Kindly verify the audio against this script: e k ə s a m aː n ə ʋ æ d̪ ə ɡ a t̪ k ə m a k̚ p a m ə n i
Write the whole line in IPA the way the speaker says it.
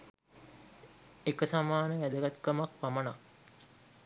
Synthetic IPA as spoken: e k ə s a m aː n ə ʋ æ d̪ ə ɡ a t̪ k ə m a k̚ p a m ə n a